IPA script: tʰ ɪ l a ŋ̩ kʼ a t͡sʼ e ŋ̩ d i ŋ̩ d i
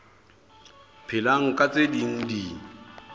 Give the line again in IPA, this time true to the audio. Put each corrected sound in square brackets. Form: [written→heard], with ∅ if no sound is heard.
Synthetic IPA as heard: [tʰ→pʰ] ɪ l a ŋ̩ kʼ a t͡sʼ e [ŋ̩→∅] d i ŋ̩ d i